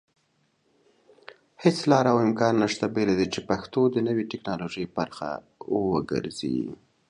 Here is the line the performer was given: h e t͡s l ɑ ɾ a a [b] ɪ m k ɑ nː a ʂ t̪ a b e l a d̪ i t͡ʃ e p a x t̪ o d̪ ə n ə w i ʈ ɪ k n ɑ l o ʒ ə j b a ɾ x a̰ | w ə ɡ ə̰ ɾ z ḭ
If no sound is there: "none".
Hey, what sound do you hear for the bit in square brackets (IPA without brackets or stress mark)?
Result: w